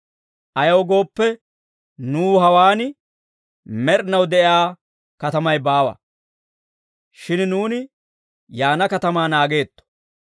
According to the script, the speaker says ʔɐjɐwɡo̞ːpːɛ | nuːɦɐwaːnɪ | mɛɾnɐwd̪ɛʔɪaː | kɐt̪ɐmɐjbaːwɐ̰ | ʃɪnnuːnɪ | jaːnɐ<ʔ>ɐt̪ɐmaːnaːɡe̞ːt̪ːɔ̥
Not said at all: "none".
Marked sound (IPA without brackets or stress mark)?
k